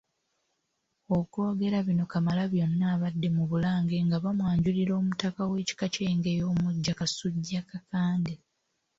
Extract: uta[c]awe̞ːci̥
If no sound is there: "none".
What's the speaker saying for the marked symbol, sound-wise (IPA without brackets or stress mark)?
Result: k